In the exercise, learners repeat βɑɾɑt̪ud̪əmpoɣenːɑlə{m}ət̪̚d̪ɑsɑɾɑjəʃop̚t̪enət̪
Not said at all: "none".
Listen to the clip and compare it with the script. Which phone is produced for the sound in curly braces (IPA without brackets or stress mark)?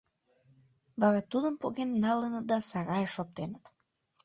n